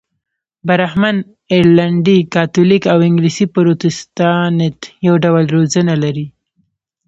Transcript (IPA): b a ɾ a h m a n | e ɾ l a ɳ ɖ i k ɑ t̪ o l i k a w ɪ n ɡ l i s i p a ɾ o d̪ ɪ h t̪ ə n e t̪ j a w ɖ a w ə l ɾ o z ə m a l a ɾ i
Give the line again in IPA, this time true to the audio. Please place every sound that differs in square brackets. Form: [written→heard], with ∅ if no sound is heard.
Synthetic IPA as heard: b a ɾ a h m a n | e ɾ l a ɳ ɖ i k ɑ t̪ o l i k a w ɪ [n→ŋ] ɡ l i s i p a ɾ o [d̪→t̪] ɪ [h→s] t̪ [ə→ɑ] n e t̪ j a w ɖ a w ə l ɾ o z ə [m→n] a l a ɾ i